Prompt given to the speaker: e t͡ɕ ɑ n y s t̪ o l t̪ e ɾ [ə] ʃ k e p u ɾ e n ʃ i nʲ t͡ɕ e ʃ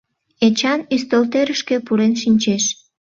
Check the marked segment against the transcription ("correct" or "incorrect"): correct